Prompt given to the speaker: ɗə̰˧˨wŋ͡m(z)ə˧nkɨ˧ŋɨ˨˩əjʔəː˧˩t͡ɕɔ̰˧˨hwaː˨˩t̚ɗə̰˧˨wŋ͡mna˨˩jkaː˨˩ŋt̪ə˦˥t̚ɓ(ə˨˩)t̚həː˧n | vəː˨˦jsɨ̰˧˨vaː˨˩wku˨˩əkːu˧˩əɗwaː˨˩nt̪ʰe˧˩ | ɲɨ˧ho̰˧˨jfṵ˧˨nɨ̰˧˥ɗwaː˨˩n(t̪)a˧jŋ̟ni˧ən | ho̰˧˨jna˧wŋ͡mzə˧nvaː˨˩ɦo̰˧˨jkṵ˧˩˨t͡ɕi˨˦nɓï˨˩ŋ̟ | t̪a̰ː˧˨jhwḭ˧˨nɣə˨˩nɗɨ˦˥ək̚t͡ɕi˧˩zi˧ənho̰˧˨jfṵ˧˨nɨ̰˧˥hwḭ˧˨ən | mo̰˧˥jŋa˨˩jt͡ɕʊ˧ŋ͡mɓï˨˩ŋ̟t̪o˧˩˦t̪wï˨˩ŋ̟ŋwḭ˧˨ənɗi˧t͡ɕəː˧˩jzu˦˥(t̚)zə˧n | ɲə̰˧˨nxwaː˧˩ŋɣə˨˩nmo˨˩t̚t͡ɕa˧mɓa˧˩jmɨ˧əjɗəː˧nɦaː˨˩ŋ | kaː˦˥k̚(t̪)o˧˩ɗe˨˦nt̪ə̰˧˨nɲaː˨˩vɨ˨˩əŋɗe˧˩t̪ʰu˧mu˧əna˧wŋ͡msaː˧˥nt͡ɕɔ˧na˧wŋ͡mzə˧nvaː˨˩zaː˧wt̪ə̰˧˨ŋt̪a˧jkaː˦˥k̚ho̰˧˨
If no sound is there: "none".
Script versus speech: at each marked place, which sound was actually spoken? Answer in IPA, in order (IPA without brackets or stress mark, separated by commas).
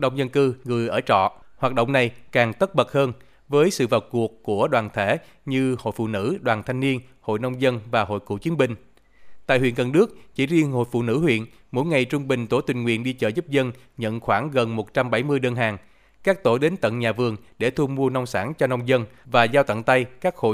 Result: z, ə˨˩, t̪ʰ, p̚, t̪